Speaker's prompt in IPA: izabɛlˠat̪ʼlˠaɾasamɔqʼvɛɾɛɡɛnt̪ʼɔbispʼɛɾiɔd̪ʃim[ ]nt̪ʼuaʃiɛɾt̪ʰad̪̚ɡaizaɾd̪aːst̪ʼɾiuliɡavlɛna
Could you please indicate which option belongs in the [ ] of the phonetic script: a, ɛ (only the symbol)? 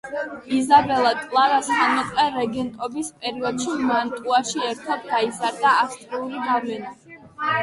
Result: a